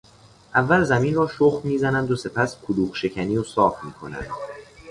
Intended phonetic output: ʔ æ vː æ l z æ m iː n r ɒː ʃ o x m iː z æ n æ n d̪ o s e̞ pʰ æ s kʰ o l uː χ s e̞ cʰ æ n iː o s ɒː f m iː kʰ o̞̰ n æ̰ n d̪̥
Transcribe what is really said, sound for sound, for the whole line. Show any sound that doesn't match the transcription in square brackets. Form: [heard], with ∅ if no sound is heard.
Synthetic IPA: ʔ æ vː æ l z æ m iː n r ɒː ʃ o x m iː z æ n æ n d̪ o s e̞ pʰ æ s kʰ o l uː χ [ʃ] e̞ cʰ æ n iː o s ɒː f m iː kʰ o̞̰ n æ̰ n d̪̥